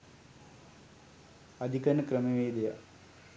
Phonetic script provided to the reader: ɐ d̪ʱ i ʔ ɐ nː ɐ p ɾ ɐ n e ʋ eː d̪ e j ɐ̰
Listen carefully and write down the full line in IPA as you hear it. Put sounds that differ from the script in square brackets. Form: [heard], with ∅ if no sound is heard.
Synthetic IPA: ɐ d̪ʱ i [k] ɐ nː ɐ [k] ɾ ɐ [m] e ʋ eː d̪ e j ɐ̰